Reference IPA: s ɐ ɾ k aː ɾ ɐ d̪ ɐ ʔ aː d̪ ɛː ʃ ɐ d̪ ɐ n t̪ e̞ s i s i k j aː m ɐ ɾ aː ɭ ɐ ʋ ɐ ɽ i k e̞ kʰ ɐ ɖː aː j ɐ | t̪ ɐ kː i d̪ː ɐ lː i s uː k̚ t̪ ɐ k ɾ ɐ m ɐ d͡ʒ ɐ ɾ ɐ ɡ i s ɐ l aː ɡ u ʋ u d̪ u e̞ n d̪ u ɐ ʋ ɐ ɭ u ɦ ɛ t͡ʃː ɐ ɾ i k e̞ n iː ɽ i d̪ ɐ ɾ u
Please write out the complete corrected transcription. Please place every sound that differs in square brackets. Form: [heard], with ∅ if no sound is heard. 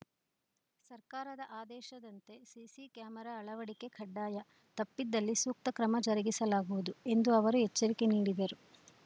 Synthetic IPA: s ɐ ɾ k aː ɾ ɐ d̪ ɐ ʔ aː d̪ ɛː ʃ ɐ d̪ ɐ n t̪ e̞ s i s i k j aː m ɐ ɾ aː ɭ ɐ ʋ ɐ ɽ i k e̞ kʰ ɐ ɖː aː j ɐ | t̪ ɐ [pː] i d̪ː ɐ lː i s uː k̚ t̪ ɐ k ɾ ɐ m ɐ d͡ʒ ɐ ɾ ɐ ɡ i s ɐ l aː ɡ u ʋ u d̪ u e̞ n d̪ u ɐ ʋ ɐ [ɾ] u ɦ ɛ t͡ʃː ɐ ɾ i k e̞ n iː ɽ i d̪ ɐ ɾ u